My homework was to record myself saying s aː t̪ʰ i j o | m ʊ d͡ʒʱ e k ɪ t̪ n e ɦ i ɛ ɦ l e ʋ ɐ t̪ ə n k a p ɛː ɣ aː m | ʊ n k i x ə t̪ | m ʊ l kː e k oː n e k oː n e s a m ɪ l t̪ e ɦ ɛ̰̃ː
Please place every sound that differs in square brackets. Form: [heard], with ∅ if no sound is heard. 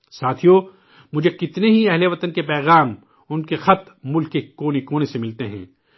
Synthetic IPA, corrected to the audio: s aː t̪ʰ i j o | m ʊ d͡ʒʱ e k ɪ t̪ n e ɦ i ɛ ɦ l e ʋ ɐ t̪ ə n k [e] p ɛː ɣ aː m | ʊ n k [e] x [ɐ] t̪ | m ʊ l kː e k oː n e k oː n e s [e] m ɪ l t̪ e ɦ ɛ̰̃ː